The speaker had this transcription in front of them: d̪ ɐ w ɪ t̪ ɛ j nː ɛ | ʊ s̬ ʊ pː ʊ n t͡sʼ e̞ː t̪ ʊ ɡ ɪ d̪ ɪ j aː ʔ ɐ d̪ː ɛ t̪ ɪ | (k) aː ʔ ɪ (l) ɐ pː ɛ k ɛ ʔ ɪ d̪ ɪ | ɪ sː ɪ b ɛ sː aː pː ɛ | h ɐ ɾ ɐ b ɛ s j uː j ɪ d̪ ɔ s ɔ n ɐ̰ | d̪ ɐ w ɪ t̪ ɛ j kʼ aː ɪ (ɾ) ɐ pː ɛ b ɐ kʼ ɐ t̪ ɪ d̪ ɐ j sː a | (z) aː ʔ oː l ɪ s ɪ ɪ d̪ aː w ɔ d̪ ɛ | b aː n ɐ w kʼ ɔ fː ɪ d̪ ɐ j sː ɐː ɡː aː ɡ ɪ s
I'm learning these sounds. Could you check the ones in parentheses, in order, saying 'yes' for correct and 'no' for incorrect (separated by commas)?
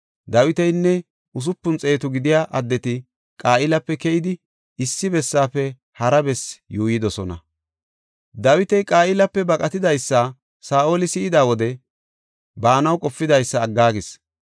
no, yes, no, no